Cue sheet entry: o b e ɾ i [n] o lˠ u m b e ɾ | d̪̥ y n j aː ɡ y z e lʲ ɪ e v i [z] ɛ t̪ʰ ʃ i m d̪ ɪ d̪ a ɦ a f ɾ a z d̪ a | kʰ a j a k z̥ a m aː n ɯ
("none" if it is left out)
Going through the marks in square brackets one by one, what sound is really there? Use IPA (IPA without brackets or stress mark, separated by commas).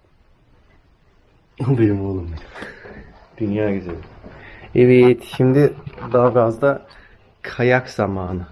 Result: m, none